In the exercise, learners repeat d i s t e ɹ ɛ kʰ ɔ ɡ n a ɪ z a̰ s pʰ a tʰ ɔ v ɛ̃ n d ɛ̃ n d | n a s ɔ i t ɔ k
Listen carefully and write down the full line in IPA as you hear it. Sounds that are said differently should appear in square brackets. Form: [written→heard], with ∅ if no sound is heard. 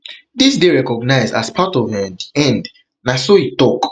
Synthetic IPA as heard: d i s [t→d] e ɹ ɛ [kʰ→k] ɔ ɡ n a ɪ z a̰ s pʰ a [tʰ→t] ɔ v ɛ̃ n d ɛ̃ n d | n a s [ɔ→o] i t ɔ k

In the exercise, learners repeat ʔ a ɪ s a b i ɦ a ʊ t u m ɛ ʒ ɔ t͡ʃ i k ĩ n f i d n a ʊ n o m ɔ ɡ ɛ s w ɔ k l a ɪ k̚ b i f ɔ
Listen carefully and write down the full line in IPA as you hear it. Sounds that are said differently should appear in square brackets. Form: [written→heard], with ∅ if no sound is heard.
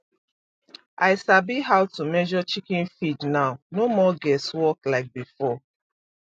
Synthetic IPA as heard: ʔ a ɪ s a b i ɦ a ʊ t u m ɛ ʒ ɔ t͡ʃ i k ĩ n f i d n a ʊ n o m ɔ ɡ ɛ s w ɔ k l a ɪ k̚ b i f ɔ

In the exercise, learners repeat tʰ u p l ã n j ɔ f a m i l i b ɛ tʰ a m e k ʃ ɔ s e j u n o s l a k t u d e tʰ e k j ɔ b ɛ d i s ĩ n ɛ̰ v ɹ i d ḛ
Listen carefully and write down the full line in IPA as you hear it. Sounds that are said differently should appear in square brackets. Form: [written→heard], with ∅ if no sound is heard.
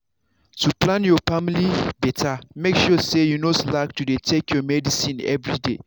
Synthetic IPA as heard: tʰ u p l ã n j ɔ f a m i l i b ɛ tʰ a m e k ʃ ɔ s e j u n o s l a k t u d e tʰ e k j ɔ [b→m] ɛ d i s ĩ n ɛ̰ v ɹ i d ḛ

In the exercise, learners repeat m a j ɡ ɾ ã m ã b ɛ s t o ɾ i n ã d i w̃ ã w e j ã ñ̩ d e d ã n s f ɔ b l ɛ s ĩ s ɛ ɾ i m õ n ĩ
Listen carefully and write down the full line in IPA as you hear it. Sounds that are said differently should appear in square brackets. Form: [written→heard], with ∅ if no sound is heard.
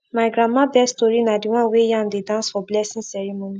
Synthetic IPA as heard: m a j ɡ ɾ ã m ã b ɛ s t o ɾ i n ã d i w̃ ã w e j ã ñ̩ d e d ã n s f ɔ b l ɛ s ĩ s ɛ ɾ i m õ n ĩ

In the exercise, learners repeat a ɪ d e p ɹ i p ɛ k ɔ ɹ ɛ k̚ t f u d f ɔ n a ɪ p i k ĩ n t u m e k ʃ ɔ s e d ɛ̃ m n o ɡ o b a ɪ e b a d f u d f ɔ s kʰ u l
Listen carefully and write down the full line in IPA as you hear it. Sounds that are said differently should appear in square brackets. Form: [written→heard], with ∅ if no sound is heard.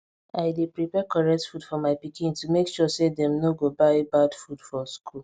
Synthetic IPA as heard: a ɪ d e p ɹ i p ɛ k ɔ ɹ ɛ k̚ t f u d f ɔ [n→m] a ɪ p i k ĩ n t u m e k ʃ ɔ s e d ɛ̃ m n o ɡ o b a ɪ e b a d f u d f ɔ s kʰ u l

